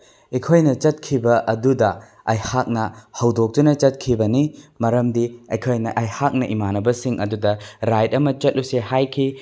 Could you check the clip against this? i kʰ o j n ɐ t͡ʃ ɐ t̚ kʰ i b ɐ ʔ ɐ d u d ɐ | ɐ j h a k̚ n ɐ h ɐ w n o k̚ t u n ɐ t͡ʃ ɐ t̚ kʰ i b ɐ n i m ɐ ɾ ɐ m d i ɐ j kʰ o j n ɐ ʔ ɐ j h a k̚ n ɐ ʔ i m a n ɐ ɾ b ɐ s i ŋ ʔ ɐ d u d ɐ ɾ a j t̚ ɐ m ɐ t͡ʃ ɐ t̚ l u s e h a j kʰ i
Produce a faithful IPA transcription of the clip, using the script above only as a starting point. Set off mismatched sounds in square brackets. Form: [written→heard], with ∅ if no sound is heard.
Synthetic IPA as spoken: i kʰ o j n ɐ t͡ʃ ɐ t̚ kʰ i b ɐ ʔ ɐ d u d ɐ | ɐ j h a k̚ n ɐ h ɐ w [n→d] o k̚ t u n ɐ t͡ʃ ɐ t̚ kʰ i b ɐ n i m ɐ ɾ ɐ m d i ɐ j kʰ o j n ɐ ʔ ɐ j h a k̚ n ɐ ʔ i m a n ɐ [ɾ→∅] b ɐ s i ŋ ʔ ɐ d u d ɐ ɾ a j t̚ ɐ m ɐ t͡ʃ ɐ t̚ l u s e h a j kʰ i